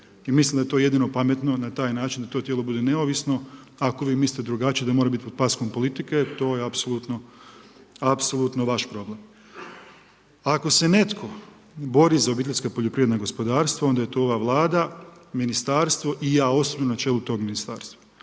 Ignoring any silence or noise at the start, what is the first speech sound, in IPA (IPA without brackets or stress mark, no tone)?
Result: i